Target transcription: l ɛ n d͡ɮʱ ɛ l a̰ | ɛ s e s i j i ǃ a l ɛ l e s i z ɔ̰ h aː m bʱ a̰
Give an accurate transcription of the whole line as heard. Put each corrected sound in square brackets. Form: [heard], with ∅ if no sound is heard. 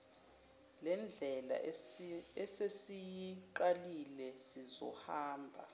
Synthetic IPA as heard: l ɛ n d͡ɮʱ ɛ l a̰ | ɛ s e s i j i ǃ a l [i] l [ɛ] s i z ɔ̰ h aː m bʱ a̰

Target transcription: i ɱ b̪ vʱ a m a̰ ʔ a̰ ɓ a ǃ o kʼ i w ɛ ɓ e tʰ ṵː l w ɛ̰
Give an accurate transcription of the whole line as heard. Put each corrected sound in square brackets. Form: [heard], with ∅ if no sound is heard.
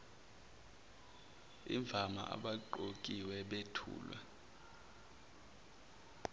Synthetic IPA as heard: i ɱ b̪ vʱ a m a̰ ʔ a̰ ɓ a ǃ o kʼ i w ɛ ɓ e tʰ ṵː l w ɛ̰

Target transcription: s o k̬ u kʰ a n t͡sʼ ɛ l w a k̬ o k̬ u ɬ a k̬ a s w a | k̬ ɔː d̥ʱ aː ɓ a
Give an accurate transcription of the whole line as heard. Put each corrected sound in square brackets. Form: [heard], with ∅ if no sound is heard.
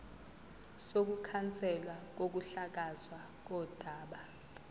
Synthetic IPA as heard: s o k̬ u kʰ a n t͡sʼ ɛ l w a k̬ o k̬ u ɬ a k̬ a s w a | k̬ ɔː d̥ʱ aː ɓ a

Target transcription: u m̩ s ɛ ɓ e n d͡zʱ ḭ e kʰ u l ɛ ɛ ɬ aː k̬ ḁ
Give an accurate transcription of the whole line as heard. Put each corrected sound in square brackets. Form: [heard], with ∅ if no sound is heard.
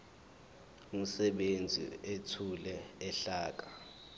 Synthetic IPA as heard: u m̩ s ɛ ɓ e n d͡zʱ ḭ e [tʰ] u l ɛ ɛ ɬ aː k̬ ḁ

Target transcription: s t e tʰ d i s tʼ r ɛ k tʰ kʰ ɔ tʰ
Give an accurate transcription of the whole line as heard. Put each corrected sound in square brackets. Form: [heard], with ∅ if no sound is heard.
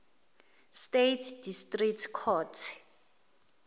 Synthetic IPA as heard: s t e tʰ d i s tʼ r [i] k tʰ kʰ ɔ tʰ

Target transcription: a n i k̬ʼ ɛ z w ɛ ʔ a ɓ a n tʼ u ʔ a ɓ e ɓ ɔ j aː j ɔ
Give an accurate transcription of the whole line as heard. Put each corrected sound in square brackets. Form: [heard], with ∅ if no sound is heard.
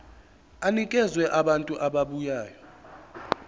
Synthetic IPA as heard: a n i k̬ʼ ɛ z w ɛ ʔ a ɓ a n tʼ u ʔ a ɓ [a] ɓ [u] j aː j ɔ

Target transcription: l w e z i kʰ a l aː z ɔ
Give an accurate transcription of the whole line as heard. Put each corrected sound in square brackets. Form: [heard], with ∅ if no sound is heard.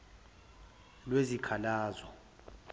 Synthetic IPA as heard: l w e z i kʰ a l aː z ɔ

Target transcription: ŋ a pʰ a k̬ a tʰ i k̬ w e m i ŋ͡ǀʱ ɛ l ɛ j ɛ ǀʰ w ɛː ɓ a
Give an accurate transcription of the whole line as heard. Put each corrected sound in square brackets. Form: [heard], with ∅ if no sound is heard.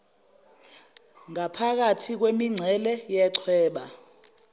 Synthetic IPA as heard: ŋ a pʰ a k̬ a tʰ i k̬ w e m i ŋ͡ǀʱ ɛ l ɛ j ɛ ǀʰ w ɛː ɓ a

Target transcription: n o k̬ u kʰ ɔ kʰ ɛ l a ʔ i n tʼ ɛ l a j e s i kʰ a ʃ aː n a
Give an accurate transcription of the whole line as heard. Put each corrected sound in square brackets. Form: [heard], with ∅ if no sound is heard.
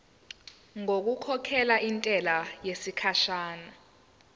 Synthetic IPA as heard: [ŋ] o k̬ u kʰ ɔ kʰ ɛ l a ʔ i n tʼ ɛ l a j e s i kʰ a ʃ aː n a

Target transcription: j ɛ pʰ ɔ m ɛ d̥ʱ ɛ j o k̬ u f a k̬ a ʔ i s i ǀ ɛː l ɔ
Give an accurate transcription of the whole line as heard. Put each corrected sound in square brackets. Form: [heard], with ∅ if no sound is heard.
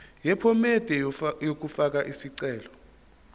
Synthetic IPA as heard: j ɛ pʰ ɔ m ɛ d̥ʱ ɛ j o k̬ u f a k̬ a ʔ i s i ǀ ɛː l ɔ

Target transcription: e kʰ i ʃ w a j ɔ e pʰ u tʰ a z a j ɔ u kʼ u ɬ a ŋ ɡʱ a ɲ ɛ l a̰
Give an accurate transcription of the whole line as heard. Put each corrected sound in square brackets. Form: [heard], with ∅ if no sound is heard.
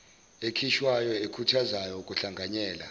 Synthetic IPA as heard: e kʰ i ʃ w a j ɔ e [kʰ] u tʰ a z a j ɔ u kʼ u ɬ a ŋ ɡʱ a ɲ [ɛː] l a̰

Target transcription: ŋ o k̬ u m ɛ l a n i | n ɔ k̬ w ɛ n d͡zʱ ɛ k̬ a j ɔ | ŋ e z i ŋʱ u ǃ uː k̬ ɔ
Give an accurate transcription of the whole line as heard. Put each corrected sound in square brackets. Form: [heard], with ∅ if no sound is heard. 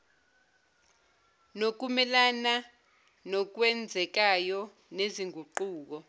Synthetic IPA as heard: [n] o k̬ u m ɛ l a n [a] | n ɔ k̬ w ɛ n d͡zʱ ɛ k̬ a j ɔ | [n] e z i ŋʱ u ǃ uː k̬ ɔ

